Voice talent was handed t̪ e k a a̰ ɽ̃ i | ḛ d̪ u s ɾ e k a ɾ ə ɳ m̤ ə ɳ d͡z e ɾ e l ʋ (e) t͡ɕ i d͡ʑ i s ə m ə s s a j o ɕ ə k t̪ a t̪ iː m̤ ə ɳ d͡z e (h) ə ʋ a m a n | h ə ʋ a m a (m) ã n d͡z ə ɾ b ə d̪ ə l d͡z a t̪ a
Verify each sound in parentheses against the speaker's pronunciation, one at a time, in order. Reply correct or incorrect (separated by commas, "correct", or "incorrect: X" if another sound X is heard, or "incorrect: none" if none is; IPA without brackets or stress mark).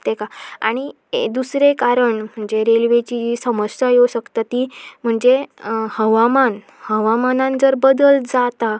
correct, correct, incorrect: n